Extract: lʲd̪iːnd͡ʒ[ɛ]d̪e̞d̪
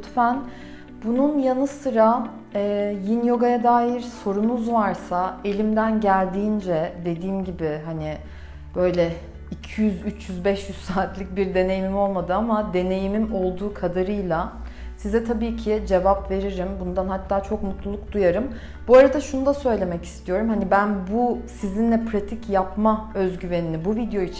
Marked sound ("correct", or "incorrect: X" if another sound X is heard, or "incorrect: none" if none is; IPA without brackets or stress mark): correct